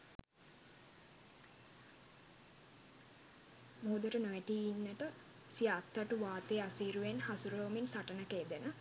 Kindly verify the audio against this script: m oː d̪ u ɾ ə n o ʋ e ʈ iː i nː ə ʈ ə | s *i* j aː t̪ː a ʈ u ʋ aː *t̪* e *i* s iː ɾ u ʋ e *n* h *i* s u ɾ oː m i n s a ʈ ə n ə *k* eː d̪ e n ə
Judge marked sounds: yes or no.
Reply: yes, yes, no, yes, no, yes

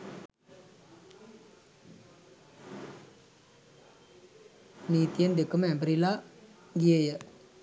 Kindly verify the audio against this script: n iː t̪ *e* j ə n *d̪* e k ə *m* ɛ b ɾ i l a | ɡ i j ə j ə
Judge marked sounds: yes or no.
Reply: no, yes, yes

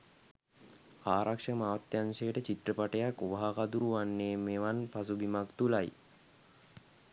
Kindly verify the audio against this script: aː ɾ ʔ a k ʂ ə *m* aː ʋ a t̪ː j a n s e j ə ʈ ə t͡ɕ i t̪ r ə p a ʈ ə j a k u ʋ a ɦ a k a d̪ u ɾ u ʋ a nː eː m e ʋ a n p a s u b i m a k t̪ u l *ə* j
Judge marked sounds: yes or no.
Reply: yes, no

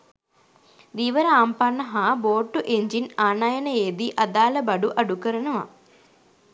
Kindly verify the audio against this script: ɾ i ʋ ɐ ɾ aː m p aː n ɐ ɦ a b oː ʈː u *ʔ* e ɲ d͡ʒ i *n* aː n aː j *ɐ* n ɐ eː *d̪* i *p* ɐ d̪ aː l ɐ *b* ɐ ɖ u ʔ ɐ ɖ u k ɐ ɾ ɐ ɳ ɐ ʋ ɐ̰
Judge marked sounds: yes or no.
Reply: yes, yes, yes, yes, no, yes

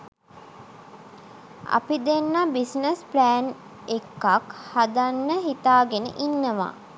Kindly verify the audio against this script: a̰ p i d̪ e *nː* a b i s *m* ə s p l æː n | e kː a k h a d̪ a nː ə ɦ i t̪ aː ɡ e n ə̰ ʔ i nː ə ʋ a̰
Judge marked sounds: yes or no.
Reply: yes, no

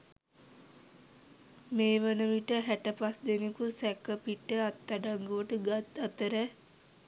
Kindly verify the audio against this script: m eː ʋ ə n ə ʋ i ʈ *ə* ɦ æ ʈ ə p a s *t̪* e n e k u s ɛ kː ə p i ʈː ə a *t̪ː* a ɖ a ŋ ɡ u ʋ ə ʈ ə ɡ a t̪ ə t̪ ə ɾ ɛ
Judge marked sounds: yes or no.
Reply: yes, no, yes

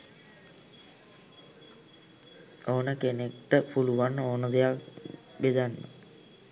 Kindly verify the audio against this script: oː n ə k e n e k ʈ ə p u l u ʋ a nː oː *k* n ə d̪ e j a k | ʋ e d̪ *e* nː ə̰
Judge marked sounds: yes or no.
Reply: no, no

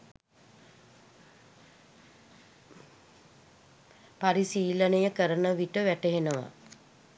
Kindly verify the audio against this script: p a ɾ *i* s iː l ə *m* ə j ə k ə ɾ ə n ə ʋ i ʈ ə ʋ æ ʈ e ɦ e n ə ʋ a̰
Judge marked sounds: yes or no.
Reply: yes, no

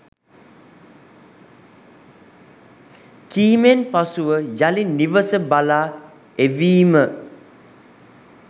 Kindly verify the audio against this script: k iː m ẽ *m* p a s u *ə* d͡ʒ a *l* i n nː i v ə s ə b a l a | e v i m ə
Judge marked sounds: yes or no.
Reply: no, yes, yes

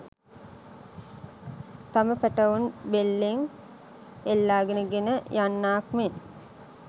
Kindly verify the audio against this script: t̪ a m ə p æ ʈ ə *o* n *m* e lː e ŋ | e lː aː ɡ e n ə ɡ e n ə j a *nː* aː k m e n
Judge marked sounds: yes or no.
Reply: no, no, yes

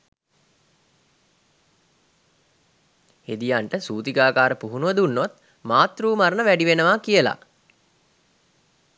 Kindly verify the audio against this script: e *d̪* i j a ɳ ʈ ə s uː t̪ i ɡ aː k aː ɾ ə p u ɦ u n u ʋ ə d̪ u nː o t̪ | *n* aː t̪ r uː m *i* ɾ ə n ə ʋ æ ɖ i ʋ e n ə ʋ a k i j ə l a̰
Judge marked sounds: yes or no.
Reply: yes, no, no

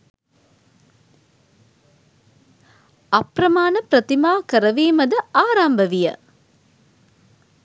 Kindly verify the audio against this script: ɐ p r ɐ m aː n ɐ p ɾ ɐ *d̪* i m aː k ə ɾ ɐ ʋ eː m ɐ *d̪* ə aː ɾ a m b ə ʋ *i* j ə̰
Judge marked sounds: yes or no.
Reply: no, yes, yes

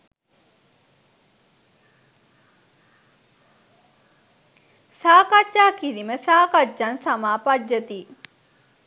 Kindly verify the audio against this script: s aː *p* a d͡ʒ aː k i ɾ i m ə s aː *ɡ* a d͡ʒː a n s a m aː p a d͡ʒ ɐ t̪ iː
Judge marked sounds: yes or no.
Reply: no, no

